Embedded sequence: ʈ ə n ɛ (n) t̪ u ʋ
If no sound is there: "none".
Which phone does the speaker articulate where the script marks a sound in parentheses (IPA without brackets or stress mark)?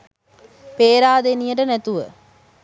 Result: none